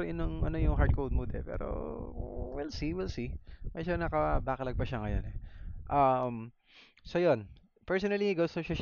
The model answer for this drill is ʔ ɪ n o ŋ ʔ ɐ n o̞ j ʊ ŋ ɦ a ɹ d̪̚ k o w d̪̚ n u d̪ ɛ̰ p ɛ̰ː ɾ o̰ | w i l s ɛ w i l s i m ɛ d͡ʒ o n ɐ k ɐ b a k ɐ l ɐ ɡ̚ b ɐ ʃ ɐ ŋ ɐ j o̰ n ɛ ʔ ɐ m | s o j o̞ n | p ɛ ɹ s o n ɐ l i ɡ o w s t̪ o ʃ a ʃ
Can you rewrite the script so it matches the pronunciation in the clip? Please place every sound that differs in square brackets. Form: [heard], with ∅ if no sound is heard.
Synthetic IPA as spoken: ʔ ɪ n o ŋ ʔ ɐ n o̞ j ʊ ŋ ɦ a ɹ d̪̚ k o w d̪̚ [m] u d̪ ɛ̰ p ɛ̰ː ɾ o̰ | w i l s [i] w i l s i m ɛ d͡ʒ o n ɐ k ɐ b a k ɐ l ɐ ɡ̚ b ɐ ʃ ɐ ŋ ɐ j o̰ n ɛ ʔ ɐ m | s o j o̞ n | p ɛ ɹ s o n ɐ l i ɡ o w s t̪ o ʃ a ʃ